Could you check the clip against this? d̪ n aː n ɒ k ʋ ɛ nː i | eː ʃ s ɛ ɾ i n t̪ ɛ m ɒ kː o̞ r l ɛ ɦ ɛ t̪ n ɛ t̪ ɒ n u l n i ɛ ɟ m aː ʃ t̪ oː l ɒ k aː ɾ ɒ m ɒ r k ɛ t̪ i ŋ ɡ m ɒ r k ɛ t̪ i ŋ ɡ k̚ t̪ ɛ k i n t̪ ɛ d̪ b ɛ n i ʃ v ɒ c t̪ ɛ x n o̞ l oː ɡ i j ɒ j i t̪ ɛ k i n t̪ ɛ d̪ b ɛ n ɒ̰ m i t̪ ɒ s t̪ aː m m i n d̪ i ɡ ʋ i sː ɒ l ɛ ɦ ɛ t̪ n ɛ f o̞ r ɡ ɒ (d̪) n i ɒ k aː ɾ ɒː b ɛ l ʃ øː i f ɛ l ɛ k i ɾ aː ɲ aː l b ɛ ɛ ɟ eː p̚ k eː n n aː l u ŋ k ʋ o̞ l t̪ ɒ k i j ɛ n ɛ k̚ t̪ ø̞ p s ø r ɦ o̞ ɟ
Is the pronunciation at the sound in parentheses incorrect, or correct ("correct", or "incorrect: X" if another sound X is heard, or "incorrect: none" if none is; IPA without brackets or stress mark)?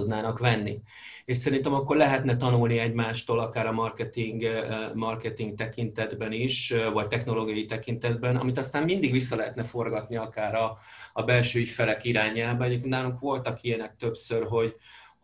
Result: incorrect: t̪